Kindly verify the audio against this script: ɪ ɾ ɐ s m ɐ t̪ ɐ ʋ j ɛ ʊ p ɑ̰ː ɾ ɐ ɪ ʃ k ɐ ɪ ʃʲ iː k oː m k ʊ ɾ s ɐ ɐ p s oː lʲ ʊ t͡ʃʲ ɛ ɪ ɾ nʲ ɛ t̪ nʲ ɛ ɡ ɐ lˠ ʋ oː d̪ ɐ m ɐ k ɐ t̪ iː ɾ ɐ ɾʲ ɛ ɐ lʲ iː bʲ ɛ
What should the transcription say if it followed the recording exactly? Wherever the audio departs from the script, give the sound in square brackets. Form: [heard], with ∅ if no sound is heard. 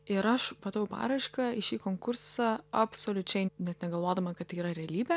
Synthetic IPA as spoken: ɪ ɾ ɐ [ʃ] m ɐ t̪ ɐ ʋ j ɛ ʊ p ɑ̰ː ɾ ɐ ɪ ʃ k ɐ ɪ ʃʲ iː k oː [ŋ] k ʊ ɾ s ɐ ɐ p s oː lʲ ʊ t͡ʃʲ ɛ ɪ [∅] nʲ ɛ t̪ nʲ ɛ ɡ ɐ lˠ ʋ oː d̪ ɐ m ɐ k ɐ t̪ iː ɾ ɐ ɾʲ ɛ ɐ lʲ iː bʲ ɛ